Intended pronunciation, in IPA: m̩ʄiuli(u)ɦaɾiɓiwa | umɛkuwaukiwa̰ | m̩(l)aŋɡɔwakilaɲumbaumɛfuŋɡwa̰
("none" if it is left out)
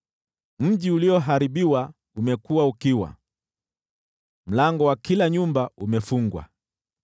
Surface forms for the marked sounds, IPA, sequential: ɔ, l

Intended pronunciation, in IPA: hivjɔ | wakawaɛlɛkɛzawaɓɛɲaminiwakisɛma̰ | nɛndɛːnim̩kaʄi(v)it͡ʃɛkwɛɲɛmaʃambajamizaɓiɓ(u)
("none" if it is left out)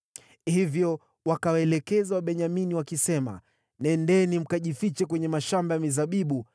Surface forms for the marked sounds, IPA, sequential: f, u

